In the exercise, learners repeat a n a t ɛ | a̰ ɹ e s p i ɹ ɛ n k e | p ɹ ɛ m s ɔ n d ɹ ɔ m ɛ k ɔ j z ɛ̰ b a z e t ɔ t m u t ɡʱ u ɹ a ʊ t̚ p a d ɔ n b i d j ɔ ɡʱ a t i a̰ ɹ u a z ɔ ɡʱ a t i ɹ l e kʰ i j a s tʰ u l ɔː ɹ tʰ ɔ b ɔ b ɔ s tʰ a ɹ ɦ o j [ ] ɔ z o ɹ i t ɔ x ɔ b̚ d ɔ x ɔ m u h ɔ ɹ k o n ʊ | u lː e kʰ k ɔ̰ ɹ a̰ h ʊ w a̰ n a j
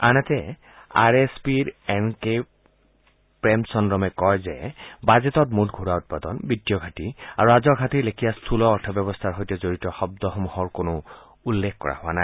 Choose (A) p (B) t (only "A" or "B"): B